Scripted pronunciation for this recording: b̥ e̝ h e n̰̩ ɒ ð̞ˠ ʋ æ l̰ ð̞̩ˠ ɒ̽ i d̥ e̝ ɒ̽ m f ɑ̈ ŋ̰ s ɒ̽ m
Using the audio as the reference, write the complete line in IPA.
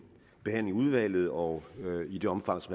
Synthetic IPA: b̥ e̝ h æ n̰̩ u ð̞ˠ ʋ æ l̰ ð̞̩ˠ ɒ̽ i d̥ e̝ ɒ̽ m f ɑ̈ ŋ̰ s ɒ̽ m

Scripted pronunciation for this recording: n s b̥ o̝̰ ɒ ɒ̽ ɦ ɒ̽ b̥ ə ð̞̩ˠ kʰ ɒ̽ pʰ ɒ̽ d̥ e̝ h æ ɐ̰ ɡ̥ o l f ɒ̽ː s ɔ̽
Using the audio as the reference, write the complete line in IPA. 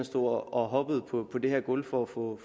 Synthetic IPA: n s d̥ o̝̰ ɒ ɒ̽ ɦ ɒ̽ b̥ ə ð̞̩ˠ pʰ ɒ̽ pʰ ɒ̽ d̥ e̝ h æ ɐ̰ ɡ̥ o l f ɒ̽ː f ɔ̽

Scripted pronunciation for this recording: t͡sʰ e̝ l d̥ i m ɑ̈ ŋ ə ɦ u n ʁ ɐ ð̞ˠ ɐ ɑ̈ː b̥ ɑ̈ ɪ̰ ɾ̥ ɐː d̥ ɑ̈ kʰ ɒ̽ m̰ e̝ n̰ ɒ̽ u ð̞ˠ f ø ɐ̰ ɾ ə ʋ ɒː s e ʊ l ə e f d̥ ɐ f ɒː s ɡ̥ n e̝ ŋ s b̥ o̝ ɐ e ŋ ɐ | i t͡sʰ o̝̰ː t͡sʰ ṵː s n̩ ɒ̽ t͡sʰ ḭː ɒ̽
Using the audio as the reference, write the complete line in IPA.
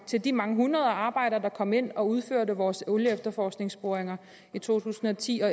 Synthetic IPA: t͡sʰ e̝ l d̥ i m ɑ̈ ŋ ə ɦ u n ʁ ɐ ð̞ˠ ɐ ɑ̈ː b̥ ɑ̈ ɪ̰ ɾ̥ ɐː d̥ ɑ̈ kʰ ɒ̽ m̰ e̝ n̰ ɒ̽ u ð̞ˠ f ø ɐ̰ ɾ ə ʋ ɒː s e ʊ l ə e f d̥ ɐ f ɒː s ɡ̥ n e̝ ŋ s b̥ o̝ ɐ e ŋ ɐ | i t͡sʰ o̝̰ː t͡sʰ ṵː s n̩ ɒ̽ t͡sʰ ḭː ɒ̽

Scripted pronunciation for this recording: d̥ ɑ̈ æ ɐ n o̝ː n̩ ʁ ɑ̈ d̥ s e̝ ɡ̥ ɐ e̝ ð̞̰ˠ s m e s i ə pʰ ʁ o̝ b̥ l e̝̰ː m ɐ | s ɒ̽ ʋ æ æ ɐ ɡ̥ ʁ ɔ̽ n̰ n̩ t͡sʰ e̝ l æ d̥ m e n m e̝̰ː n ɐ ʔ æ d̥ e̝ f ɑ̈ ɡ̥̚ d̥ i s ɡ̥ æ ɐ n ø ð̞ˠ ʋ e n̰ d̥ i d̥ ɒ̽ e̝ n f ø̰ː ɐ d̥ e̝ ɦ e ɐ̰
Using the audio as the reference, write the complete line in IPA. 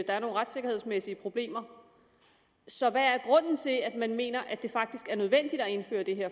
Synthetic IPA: d̥ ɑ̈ æ ɐ n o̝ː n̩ ʁ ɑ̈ d̥ s e̝ ɡ̥ ɐ e̝ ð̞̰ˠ s m e s i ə pʰ ʁ o̝ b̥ l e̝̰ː m ɐ | s ɒ̽ ʋ æ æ ɐ ɡ̥ ʁ ɔ̽ n̰ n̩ t͡sʰ e̝ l æ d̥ m æ n m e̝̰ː n ɐ ʔ æ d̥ e̝ f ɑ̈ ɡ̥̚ d̥ i s ɡ̥ æ ɐ n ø ð̞ˠ ʋ e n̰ d̥ i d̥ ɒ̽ e̝ n f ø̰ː ɐ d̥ e̝ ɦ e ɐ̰

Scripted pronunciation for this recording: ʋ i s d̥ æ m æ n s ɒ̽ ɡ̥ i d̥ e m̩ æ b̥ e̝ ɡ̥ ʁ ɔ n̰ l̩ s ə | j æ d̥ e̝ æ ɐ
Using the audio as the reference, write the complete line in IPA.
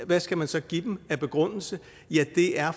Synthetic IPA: ʋ æ s ɡ̥ æ m æ n s ɒ̽ ɡ̥ i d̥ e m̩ æ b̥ e̝ ɡ̥ ʁ ɔ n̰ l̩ s ə | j æ d̥ e̝ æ ɐ

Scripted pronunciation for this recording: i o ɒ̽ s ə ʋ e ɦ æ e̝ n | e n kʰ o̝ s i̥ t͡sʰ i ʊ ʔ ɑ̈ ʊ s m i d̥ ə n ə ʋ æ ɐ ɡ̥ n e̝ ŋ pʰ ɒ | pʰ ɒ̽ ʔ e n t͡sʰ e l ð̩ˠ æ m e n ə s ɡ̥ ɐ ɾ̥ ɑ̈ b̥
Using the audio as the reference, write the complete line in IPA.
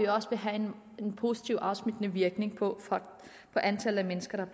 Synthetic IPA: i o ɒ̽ s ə ʋ e ɦ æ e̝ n | e n pʰ o̝ s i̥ t͡sʰ i ʊ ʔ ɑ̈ ʊ s m i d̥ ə n ə ʋ i ɐ ɡ̥ n e̝ ŋ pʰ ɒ | pʰ ɒ̽ ʔ æ n t͡sʰ æ l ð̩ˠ æ m e n ə s ɡ̥ ɐ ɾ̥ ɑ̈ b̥

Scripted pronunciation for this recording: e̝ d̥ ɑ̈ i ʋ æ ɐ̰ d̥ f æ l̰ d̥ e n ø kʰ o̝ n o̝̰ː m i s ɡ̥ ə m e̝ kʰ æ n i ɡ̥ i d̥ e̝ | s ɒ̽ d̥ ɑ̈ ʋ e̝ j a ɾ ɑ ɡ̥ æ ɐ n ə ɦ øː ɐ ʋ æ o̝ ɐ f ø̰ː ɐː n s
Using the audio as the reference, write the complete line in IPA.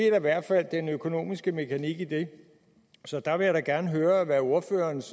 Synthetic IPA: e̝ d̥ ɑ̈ i ʋ æ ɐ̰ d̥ f æ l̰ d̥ e n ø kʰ o̝ n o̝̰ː m i s ɡ̥ ə m e̝ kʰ æ n i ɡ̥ i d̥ e̝ | s ɒ̽ d̥ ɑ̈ ʋ e̝ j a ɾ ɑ ɡ̥ æ ɐ n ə ɦ øː ɐ ʋ æ o̝ ɐ f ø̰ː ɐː n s

